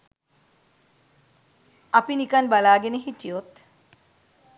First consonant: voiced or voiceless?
voiceless